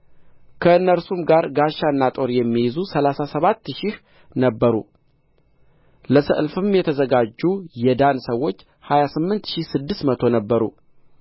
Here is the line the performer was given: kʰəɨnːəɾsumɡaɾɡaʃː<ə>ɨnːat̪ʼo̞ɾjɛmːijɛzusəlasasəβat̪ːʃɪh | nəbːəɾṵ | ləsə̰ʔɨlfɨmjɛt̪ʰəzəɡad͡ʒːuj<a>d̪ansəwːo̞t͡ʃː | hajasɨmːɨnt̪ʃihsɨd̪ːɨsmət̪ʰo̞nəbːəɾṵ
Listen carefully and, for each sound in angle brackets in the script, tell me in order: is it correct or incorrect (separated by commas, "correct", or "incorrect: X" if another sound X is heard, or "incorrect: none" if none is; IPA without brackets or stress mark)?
incorrect: a, incorrect: ɛ